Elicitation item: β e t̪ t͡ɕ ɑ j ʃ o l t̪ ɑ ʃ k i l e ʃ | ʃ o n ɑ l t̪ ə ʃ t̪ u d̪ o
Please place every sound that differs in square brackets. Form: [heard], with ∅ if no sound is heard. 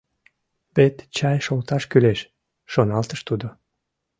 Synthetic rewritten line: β e t̪ t͡ɕ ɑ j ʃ o l t̪ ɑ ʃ k [y] l e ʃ | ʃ o n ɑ l t̪ ə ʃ t̪ u d̪ o